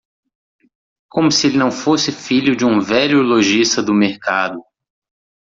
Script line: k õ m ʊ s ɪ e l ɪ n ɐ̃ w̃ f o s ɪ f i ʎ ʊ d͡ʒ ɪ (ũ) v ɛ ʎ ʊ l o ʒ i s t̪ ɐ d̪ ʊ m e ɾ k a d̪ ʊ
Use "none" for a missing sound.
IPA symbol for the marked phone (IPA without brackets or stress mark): ũ